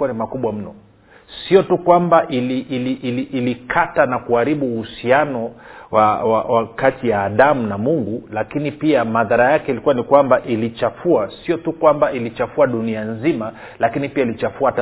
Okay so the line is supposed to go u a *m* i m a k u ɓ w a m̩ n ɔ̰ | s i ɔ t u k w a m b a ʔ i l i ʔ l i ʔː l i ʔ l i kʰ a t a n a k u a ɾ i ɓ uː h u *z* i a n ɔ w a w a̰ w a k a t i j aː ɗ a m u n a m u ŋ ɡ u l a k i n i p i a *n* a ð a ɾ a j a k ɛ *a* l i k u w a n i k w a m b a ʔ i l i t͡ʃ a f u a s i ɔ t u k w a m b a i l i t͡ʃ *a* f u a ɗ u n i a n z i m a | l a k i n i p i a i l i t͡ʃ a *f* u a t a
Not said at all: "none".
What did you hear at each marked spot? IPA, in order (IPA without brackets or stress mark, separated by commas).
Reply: n, s, m, i, a, f